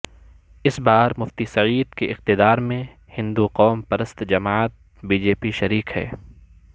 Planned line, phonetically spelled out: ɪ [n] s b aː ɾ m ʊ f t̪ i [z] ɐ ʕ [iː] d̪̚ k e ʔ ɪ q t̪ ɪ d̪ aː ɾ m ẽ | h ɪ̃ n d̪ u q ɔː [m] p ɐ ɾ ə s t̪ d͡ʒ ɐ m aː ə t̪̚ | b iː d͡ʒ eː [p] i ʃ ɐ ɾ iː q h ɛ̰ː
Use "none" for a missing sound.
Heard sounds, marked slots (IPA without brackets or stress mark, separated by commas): none, s, iː, m, p